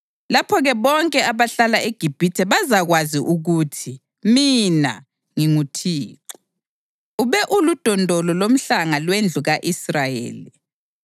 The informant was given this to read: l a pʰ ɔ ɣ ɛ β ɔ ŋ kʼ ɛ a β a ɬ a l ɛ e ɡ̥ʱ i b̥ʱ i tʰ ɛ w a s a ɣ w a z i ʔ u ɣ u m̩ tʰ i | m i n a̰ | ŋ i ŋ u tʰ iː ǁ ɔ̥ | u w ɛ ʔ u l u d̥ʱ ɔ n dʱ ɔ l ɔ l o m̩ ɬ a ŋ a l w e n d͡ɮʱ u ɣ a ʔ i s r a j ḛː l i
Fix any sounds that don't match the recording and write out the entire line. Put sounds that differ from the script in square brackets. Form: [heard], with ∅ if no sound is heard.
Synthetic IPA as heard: l a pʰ ɔ ɣ ɛ β ɔ ŋ kʼ ɛ a β a ɬ a l [a] e ɡ̥ʱ i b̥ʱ i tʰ ɛ [β] a [z] a ɣ w a z i ʔ u ɣ u [∅] tʰ i | m i n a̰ | ŋ i ŋ u tʰ iː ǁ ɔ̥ | u [β] ɛ ʔ u l u d̥ʱ ɔ n dʱ ɔ l ɔ l o m̩ ɬ a ŋ a l w e n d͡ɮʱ u ɣ a ʔ i s r a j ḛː l i